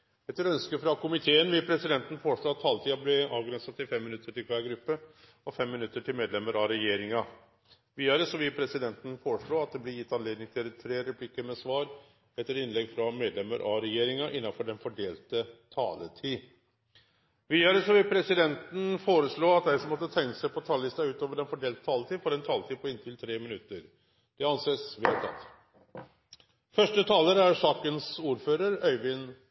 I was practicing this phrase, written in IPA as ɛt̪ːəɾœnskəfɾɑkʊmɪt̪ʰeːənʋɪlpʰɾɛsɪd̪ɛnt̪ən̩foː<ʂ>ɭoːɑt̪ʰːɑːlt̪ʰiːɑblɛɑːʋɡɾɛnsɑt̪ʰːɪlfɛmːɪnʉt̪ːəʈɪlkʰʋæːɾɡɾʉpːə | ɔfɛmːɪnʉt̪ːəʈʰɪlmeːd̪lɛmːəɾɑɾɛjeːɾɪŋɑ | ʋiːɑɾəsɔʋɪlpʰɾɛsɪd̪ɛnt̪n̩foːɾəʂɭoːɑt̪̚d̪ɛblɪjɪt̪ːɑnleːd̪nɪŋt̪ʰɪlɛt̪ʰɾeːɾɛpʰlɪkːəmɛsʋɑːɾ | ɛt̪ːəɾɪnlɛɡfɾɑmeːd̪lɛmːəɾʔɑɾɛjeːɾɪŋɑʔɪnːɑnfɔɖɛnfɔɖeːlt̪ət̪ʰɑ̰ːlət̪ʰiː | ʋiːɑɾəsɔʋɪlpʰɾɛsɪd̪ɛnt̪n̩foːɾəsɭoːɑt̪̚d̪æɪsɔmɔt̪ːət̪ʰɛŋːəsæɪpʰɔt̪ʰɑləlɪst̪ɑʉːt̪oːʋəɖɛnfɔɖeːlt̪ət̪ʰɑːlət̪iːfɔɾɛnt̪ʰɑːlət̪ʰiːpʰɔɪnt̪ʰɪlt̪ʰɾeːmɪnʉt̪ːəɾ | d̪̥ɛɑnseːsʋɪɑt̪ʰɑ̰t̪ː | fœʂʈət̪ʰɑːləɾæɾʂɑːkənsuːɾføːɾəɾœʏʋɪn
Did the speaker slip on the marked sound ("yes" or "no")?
no